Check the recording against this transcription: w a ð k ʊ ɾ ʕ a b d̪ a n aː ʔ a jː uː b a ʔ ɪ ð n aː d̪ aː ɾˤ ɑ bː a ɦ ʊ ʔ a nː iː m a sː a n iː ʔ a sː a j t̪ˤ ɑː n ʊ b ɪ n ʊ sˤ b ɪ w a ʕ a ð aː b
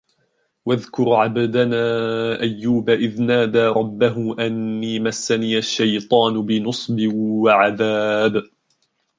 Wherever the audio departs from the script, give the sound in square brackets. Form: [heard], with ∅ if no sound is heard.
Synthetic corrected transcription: w a ð k ʊ ɾ ʕ a b d̪ a n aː ʔ a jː uː b a ʔ ɪ ð n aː d̪ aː ɾˤ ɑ bː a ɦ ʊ ʔ a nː iː m a sː a n iː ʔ a [ʃː] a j t̪ˤ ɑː n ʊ b ɪ n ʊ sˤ b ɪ w a ʕ a ð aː b